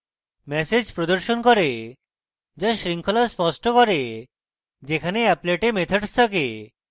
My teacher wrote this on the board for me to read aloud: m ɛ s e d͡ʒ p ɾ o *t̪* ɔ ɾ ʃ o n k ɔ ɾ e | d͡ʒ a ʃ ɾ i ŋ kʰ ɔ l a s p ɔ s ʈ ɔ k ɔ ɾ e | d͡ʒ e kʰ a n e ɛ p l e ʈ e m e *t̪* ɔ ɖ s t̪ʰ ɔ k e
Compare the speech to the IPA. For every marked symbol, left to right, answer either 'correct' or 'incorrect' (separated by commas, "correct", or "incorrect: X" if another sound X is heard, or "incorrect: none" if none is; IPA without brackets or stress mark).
incorrect: d̪, incorrect: t̪ʰ